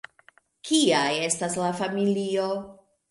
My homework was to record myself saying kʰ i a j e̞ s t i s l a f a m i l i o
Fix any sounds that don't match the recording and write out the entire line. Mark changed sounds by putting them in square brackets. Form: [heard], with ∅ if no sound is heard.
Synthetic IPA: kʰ i a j e̞ s t [a] s l a f a m i l i o